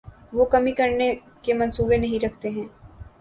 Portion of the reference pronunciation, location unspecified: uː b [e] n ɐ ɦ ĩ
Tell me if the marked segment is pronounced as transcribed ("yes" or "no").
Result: yes